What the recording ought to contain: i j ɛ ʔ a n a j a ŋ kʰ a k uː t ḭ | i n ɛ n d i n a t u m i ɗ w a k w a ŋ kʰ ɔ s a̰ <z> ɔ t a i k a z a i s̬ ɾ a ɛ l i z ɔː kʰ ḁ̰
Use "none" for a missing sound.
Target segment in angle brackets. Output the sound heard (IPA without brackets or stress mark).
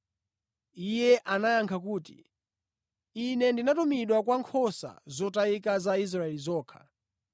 z